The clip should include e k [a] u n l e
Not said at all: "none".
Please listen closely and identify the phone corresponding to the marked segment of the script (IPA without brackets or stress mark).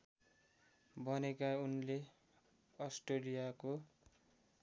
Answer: a